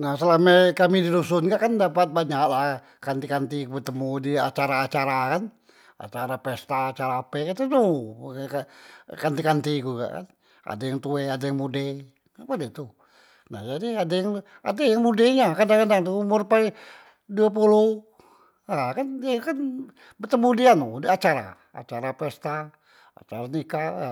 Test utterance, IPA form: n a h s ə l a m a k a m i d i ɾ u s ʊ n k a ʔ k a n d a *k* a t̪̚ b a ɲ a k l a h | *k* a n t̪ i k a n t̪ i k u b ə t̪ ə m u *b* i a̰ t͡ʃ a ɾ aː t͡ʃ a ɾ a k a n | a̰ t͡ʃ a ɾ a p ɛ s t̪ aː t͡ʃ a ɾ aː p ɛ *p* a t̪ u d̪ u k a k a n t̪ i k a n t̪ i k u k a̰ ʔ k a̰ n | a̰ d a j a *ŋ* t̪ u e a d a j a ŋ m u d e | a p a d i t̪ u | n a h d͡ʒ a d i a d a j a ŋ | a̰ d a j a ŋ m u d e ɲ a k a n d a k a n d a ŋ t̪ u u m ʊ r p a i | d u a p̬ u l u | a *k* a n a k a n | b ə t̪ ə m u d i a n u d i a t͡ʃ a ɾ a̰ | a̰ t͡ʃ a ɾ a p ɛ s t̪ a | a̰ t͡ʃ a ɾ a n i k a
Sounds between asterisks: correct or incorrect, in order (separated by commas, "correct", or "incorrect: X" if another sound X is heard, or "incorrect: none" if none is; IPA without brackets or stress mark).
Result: incorrect: p, correct, incorrect: d, incorrect: k, correct, correct